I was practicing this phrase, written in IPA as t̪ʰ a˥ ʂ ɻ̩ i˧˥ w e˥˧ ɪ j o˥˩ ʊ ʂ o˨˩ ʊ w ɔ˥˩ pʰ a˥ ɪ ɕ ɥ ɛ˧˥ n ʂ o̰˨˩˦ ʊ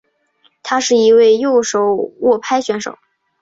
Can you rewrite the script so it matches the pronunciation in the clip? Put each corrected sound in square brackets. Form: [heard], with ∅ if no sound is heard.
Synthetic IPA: t̪ʰ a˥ ʂ ɻ̩ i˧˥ w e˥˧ ɪ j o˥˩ ʊ ʂ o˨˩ ʊ w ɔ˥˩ pʰ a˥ ɪ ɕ ɥ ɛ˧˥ n ʂ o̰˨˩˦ ʊ